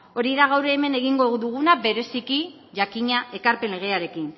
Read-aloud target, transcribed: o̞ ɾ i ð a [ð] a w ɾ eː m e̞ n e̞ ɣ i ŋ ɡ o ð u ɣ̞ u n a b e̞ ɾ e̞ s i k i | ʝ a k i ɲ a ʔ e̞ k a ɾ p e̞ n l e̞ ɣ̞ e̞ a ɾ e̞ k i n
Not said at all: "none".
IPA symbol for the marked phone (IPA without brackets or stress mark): ɣ